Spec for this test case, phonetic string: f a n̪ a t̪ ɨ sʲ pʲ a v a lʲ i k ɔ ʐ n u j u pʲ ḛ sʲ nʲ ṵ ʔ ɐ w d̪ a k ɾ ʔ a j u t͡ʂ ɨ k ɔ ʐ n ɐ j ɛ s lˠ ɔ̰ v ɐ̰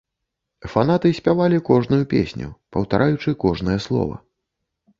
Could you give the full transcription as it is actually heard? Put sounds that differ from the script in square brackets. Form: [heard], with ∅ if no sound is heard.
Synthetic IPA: f a n̪ a t̪ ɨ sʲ pʲ a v a lʲ i k ɔ ʐ n u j u pʲ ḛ sʲ nʲ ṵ [p] ɐ w [t̪] a [∅] ɾ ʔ a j u t͡ʂ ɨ k ɔ ʐ n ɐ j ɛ s lˠ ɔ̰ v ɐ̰